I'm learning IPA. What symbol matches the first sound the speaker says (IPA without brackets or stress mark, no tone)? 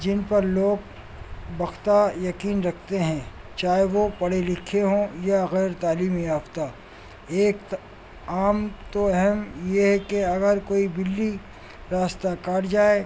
d͡ʒ